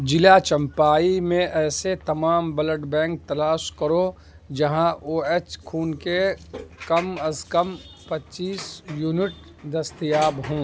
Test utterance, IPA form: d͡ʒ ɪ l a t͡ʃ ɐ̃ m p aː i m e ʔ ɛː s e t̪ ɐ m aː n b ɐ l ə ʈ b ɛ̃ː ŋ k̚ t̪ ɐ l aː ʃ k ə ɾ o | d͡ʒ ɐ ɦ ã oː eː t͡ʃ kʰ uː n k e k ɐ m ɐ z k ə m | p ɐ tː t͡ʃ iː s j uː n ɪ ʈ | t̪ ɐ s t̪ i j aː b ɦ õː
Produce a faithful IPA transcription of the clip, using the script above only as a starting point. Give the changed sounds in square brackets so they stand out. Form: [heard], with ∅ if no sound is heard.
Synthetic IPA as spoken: d͡ʒ ɪ l a t͡ʃ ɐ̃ m p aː i m [ẽ] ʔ ɛː s e t̪ ɐ m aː [m] b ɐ l ə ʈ b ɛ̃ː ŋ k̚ t̪ ɐ l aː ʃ k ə ɾ o | d͡ʒ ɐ ɦ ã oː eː t͡ʃ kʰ uː n k e k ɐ m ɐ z k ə m | p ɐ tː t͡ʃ iː s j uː n ɪ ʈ | [d̪] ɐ s t̪ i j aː b ɦ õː